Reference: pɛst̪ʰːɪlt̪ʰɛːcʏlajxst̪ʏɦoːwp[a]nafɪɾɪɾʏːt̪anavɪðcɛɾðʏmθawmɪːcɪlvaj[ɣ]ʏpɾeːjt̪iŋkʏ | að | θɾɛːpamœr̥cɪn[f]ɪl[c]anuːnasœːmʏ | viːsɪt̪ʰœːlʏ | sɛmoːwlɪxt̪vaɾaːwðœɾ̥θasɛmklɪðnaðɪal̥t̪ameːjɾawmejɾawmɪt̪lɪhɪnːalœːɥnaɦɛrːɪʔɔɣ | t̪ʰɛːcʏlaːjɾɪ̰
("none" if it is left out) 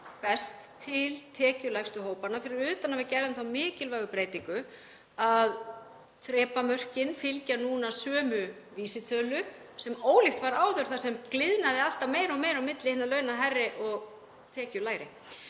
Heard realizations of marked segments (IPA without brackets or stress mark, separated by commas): a, ɣ, f, c